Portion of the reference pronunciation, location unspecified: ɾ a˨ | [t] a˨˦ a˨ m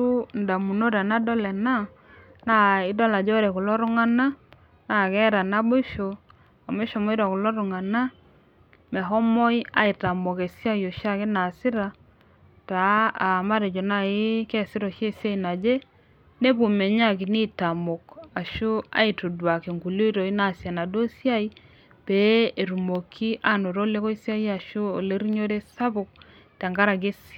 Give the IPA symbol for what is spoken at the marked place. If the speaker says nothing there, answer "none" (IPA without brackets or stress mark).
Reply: t